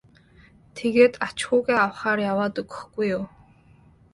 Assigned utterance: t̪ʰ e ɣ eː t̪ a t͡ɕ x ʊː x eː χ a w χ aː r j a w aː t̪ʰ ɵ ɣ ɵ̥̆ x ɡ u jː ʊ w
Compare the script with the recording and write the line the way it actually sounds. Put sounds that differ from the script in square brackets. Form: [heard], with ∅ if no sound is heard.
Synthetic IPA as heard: t̪ʰ e ɣ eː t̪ a t͡ɕ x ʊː [ɣ] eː [∅] a w χ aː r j a w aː [t̪] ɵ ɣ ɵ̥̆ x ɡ u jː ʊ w